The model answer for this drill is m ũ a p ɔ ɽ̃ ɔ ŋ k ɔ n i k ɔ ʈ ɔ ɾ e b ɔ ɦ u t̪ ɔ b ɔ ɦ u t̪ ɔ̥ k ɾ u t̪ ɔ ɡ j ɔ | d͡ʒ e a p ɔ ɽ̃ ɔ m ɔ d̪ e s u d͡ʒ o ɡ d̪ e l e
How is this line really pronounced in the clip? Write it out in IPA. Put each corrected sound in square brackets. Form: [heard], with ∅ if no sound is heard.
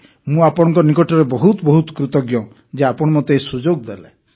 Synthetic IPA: m ũ a p ɔ ɽ̃ ɔ ŋ k ɔ n i k ɔ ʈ ɔ ɾ e b ɔ ɦ u t̪ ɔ b ɔ ɦ u t̪ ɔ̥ k ɾ u t̪ ɔ ɡ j ɔ | d͡ʒ e a p ɔ ɽ̃ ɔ m ɔ [t̪] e s u d͡ʒ o ɡ d̪ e l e